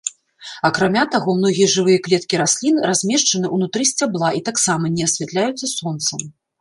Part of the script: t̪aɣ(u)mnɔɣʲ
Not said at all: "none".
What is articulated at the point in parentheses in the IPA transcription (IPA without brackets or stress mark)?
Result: ɔ